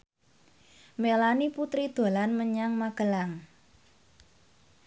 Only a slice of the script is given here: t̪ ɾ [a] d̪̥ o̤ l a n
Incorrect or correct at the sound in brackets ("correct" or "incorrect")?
incorrect